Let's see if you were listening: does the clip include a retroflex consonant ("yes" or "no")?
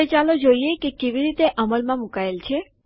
no